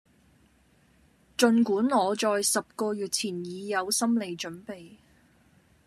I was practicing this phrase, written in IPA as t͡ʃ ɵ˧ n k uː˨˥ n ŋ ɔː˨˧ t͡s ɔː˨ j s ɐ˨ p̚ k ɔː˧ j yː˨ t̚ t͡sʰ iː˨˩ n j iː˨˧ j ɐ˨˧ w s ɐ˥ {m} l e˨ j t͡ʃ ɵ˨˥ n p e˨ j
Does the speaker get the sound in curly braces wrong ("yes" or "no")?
no